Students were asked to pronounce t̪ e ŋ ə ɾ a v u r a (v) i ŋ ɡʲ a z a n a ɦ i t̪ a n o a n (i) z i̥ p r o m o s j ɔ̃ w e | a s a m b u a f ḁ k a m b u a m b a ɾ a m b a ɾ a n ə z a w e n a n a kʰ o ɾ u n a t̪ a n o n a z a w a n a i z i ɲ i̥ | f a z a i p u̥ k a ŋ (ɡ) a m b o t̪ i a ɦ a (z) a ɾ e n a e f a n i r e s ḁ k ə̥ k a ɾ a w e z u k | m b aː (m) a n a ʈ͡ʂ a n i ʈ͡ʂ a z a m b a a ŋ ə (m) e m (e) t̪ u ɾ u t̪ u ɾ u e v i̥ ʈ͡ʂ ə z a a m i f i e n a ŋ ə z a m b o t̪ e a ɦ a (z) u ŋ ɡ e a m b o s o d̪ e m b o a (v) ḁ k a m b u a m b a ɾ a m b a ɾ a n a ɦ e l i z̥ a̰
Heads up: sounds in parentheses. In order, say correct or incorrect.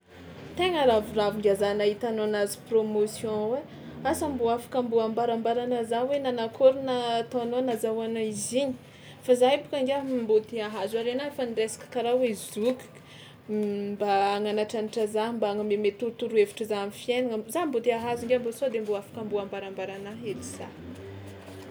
correct, incorrect: a, correct, correct, incorrect: ŋ, correct, correct, correct, incorrect: f

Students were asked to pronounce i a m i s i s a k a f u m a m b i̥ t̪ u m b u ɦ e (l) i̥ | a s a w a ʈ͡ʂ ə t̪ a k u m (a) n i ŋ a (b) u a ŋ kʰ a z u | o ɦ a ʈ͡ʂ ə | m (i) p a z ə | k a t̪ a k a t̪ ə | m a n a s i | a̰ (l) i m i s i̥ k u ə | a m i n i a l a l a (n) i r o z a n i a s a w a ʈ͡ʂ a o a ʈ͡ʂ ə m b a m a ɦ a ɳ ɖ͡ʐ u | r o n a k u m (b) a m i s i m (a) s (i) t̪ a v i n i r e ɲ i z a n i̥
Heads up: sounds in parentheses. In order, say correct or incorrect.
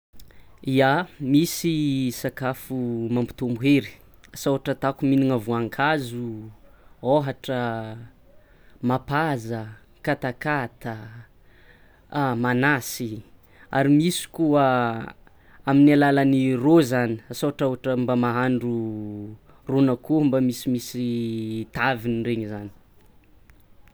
incorrect: ɾ, incorrect: i, incorrect: v, incorrect: a, incorrect: ɾ, correct, correct, incorrect: i, correct

